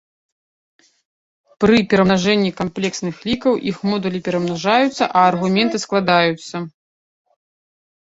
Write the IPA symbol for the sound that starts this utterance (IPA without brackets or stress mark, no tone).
p